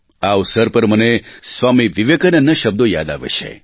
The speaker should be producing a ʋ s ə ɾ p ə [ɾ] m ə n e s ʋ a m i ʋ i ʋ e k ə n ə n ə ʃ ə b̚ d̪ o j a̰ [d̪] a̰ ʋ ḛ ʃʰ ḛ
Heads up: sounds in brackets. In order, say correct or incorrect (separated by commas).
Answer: correct, correct